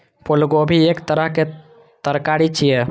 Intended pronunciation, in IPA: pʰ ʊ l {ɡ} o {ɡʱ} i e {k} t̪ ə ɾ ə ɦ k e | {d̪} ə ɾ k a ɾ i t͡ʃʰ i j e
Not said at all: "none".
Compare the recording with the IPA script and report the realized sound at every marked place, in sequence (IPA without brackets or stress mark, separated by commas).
ɡ, bʱ, k, t̪